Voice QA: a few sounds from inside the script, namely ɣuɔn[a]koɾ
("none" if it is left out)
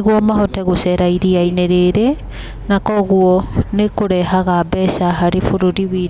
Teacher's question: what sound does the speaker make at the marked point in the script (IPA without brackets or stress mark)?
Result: e